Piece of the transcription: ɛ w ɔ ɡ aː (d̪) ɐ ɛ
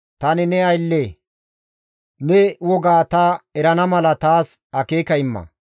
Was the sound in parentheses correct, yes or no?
no